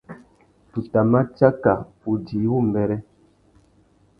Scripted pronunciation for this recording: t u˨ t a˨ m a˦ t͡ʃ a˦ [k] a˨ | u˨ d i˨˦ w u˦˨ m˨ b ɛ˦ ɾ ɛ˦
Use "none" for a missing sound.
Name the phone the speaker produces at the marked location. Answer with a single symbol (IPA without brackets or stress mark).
k